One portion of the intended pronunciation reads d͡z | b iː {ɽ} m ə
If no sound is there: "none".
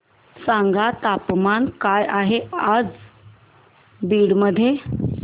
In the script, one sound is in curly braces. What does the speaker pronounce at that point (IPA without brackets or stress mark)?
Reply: ɽ